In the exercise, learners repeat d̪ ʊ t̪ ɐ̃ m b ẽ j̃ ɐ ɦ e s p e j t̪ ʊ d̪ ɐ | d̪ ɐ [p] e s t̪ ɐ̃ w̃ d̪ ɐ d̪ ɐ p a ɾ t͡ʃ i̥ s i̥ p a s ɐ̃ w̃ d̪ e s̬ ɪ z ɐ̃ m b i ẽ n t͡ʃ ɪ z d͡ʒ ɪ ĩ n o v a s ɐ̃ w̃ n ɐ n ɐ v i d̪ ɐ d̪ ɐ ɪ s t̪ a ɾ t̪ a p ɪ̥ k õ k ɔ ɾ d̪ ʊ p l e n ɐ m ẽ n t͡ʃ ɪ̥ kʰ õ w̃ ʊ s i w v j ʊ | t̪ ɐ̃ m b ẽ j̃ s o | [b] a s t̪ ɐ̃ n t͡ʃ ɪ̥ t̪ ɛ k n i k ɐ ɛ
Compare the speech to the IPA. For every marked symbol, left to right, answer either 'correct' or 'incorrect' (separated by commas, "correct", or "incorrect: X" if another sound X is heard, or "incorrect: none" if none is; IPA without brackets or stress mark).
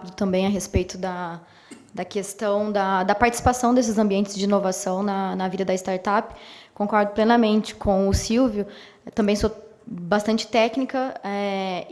incorrect: k, correct